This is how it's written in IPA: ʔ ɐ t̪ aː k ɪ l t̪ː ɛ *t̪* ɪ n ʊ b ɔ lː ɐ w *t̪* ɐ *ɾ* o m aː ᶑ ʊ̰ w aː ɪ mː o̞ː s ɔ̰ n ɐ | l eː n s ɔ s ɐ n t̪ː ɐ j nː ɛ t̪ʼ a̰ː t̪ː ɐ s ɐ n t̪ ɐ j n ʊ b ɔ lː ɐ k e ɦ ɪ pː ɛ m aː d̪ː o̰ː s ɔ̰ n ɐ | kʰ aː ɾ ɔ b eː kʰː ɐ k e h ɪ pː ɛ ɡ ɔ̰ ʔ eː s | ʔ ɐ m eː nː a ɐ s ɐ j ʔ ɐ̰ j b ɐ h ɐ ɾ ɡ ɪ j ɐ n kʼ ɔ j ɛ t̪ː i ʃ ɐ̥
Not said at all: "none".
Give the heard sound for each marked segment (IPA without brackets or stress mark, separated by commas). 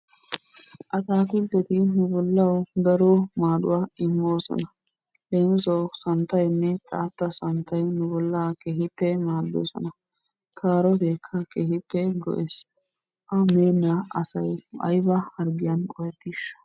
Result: t̪, d̪, ɾ